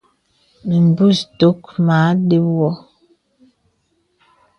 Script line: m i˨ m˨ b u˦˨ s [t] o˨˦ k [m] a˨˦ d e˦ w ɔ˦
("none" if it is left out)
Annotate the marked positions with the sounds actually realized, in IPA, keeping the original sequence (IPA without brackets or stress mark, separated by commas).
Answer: t, m